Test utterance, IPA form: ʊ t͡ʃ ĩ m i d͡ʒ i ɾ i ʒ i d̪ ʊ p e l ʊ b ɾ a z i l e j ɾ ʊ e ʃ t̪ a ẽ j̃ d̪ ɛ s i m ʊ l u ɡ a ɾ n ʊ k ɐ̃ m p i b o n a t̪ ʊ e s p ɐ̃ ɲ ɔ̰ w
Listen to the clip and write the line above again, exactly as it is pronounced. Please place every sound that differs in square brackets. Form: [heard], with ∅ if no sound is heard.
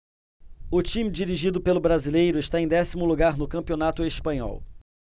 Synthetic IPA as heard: ʊ t͡ʃ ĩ m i d͡ʒ i ɾ i ʒ i d̪ ʊ p e l ʊ b ɾ a z i l e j ɾ ʊ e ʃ t̪ a ẽ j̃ d̪ ɛ s i m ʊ l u ɡ a ɾ n ʊ k ɐ̃ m p i [∅] o n a t̪ ʊ e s p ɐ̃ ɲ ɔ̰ w